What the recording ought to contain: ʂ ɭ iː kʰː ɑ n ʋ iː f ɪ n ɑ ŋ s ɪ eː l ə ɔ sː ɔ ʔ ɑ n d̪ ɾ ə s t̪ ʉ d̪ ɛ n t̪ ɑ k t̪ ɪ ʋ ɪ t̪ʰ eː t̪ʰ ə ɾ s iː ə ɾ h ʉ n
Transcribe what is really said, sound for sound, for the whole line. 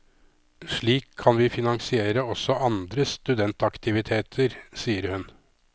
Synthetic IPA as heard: ʂ ɭ iː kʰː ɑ n ʋ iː f ɪ n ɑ ŋ s ɪ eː ɾ ə ɔ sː ɔ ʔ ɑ n d̪ ɾ ə s t̪ ʉ d̪ ɛ n t̪ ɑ k t̪ ɪ ʋ ɪ t̪ʰ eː t̪ʰ ə ɾ s iː ə ɾ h ʉ n